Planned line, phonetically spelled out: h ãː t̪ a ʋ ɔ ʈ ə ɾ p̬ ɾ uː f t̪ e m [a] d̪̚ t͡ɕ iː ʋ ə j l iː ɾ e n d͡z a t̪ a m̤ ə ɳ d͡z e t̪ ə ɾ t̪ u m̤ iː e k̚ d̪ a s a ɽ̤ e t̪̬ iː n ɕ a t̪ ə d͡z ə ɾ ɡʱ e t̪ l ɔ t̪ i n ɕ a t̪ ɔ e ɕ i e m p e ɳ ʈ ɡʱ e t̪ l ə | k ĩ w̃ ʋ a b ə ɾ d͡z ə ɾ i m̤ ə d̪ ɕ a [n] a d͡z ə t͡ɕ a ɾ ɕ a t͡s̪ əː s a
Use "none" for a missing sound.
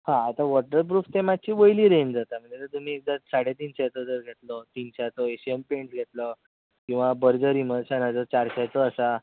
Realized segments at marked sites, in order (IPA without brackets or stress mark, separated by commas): a, n